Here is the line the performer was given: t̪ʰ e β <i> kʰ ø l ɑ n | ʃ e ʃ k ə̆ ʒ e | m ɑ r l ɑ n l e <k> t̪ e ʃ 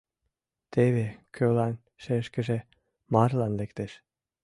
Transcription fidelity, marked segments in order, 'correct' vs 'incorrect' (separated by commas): incorrect, correct